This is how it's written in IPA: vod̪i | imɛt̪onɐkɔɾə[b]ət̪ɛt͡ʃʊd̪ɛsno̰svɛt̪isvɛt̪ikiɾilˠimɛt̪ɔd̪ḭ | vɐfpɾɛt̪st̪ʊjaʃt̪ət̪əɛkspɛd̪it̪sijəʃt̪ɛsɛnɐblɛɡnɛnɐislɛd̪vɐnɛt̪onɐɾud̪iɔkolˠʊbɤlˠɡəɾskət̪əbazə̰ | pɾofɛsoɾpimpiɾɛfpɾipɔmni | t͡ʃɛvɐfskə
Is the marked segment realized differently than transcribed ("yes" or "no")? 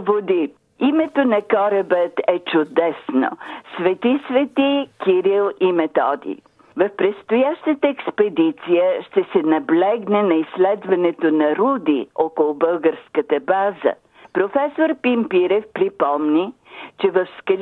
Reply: no